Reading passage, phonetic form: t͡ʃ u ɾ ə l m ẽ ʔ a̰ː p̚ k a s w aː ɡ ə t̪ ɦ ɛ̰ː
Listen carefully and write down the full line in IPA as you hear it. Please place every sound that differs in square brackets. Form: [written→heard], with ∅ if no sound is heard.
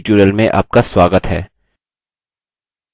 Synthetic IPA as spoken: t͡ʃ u ɾ ə l m ẽ ʔ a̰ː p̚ k a s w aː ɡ ə t̪ ɦ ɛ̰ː